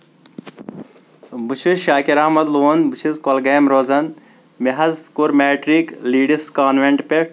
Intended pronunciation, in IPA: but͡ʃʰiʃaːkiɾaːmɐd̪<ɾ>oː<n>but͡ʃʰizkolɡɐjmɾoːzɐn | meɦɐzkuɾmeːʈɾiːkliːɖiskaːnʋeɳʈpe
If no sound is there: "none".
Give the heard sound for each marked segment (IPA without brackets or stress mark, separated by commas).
l, n